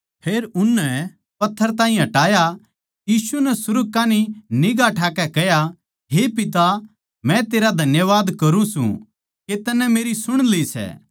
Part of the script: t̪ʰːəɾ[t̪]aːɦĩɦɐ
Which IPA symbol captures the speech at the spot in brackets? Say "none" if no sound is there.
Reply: t̪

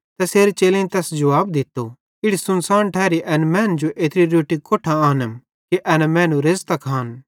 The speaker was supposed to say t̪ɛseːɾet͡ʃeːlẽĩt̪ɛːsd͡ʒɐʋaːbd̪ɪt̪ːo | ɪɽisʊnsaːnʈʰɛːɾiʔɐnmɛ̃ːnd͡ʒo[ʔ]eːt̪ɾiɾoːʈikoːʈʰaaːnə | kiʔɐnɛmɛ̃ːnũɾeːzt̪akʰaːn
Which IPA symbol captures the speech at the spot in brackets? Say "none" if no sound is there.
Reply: ʔ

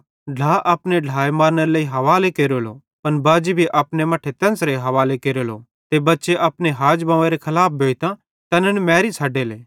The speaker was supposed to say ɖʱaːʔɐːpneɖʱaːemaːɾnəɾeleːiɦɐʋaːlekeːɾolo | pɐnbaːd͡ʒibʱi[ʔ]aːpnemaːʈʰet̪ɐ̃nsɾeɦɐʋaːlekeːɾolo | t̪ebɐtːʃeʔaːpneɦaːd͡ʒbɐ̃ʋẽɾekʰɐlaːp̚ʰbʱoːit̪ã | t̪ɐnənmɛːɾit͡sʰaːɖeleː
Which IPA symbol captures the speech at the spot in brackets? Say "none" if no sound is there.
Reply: ʔ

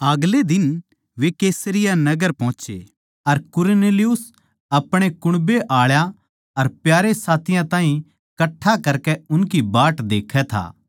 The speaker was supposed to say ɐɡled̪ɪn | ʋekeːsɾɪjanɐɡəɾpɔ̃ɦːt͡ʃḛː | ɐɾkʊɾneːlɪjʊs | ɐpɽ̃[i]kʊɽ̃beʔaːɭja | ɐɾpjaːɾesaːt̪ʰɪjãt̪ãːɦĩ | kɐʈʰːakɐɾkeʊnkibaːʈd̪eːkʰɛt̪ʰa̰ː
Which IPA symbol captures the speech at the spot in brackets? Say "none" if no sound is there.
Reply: e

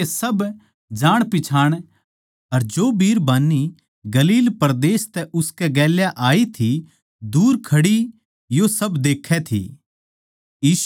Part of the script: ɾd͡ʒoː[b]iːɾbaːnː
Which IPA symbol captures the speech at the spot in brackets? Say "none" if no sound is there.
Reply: b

